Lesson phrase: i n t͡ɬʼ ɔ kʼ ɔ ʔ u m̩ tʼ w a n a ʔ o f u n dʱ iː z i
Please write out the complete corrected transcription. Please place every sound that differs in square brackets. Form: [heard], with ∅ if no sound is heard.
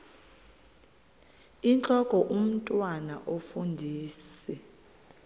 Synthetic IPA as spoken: i n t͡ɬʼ ɔ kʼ ɔ ʔ u m̩ tʼ w a n a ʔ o f u n dʱ iː [s] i